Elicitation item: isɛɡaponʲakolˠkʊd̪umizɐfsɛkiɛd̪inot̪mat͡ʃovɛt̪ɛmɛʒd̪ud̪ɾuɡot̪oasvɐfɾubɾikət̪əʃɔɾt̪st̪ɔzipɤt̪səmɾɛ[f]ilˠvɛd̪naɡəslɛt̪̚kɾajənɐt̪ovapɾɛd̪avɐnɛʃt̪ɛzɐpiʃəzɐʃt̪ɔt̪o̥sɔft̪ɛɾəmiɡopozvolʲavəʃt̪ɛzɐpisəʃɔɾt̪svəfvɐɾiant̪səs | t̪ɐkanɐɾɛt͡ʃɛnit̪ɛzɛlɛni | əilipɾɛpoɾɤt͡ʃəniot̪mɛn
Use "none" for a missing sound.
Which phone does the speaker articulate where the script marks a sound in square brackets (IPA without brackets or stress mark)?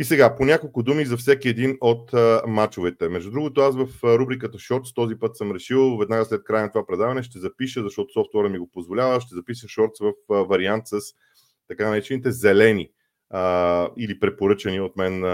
ʃ